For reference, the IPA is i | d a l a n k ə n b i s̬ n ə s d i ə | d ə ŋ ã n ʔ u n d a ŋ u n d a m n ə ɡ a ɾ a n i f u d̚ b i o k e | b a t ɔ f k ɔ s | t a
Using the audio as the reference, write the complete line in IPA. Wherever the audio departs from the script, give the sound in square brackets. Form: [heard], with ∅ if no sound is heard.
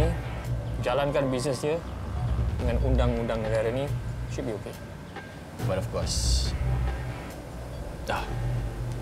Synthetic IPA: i | [d͡ʒ] a l a n k [a] n b i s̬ n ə s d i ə | d ə ŋ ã n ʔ u n d a ŋ u n d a [ŋ] n ə ɡ a ɾ a n i [ʃ] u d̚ b i o k e | b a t ɔ f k ɔ s | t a